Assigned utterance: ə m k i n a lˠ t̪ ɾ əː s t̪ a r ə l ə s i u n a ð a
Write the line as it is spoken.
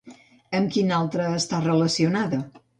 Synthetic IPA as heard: ə m k i n a lˠ t̪ ɾ əː s t̪ a r ə l ə s i u n a ð ə